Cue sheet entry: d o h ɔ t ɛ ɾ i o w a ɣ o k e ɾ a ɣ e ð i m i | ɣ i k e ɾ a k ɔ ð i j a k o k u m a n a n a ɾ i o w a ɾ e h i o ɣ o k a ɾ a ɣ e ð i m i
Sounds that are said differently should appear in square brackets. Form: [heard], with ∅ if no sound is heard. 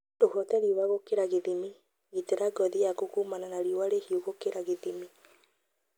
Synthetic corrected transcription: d o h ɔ t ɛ ɾ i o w a ɣ o k e ɾ a ɣ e ð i m i | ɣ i [t] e ɾ a [ɡ] ɔ ð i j a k o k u m a n a n a ɾ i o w a ɾ e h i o ɣ o k [e] ɾ a ɣ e ð i m i